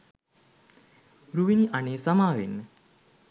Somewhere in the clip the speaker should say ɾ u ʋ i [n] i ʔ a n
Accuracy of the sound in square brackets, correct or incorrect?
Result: correct